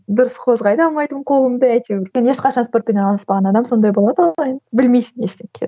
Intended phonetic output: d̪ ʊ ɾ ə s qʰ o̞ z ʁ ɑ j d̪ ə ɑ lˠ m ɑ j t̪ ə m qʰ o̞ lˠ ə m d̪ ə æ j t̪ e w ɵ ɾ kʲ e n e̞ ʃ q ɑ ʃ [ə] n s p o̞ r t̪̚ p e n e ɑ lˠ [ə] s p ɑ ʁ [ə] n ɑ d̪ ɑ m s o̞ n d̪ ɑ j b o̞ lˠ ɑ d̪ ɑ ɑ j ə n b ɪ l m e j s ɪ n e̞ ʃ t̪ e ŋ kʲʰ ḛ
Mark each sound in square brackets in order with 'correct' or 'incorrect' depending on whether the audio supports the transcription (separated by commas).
incorrect, incorrect, incorrect